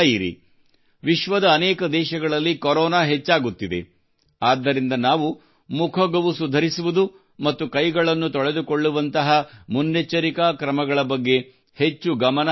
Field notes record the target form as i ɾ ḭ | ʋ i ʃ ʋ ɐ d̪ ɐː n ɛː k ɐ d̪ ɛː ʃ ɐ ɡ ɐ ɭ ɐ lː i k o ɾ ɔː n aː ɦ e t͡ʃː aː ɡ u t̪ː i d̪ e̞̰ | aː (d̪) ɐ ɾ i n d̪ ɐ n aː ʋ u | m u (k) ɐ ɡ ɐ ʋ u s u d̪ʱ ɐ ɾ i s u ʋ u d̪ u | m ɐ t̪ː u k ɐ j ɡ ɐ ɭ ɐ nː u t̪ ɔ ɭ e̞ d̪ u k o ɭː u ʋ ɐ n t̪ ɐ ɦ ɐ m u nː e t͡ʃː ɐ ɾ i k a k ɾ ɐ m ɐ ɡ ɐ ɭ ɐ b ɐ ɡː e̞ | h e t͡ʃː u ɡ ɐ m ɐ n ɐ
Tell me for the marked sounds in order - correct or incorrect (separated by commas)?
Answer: incorrect, incorrect